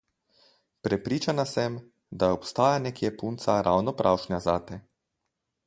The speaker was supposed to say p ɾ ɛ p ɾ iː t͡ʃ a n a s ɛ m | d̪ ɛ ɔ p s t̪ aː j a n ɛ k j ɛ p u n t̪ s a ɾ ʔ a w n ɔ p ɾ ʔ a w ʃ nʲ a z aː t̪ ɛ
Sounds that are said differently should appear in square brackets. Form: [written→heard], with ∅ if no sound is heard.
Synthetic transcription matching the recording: p ɾ ɛ p ɾ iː t͡ʃ a n a s ɛ m | d̪ [ɛ→a] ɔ p s t̪ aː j a n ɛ k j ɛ p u n t̪ s a ɾ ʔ a w n ɔ p ɾ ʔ a w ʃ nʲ a z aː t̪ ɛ